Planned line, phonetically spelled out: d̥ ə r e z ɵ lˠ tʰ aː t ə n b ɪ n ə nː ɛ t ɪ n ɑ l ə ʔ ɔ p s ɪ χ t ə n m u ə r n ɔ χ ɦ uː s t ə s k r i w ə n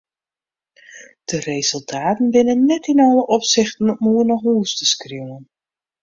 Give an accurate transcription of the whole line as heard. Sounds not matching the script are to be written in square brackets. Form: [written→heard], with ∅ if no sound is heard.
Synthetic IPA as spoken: d̥ ə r e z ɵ lˠ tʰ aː t ə n b ɪ n ə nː ɛ t ɪ n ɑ l ə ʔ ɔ p s ɪ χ t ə n m u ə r n ɔ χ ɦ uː s t ə s k r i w ə n